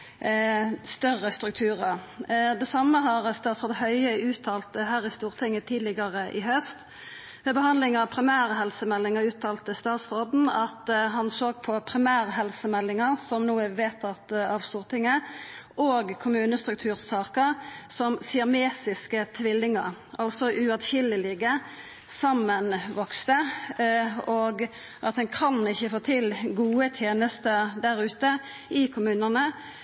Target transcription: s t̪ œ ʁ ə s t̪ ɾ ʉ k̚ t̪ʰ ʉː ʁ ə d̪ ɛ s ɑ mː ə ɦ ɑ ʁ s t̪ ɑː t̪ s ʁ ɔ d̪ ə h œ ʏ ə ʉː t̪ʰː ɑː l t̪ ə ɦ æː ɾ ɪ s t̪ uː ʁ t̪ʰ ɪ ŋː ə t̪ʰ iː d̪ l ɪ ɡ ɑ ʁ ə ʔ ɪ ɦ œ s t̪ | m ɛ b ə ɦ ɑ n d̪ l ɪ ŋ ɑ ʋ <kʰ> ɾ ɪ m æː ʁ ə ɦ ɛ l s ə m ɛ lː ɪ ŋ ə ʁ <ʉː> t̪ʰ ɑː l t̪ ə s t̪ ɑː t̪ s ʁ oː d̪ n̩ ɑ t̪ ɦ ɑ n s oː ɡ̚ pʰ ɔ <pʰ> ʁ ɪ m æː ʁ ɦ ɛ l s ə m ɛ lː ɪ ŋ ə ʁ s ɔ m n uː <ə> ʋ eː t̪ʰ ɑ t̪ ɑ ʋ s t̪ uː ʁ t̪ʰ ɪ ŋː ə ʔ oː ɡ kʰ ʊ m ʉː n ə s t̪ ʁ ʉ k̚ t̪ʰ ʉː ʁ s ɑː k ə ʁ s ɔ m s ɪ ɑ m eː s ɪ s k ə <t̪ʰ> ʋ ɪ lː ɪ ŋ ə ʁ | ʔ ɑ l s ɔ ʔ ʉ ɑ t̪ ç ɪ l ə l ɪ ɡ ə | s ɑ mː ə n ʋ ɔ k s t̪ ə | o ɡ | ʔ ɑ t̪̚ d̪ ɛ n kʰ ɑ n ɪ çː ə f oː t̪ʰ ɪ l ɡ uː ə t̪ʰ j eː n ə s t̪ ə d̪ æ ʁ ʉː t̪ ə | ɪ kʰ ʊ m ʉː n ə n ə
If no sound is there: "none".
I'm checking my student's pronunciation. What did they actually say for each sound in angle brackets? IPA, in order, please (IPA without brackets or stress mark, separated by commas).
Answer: pʰ, ʉː, pʰ, ə, t̪ʰ